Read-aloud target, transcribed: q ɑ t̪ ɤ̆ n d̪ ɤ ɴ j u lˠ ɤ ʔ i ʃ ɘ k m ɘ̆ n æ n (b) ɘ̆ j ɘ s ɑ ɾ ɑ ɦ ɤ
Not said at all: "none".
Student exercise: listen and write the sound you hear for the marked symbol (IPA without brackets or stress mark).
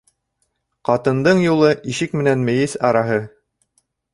m